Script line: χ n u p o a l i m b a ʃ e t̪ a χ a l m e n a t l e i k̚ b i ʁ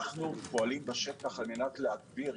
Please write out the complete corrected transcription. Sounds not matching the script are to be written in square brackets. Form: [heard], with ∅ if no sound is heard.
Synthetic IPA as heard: χ n u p o a l i m b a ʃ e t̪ a χ a l m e n a t l e [a] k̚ b i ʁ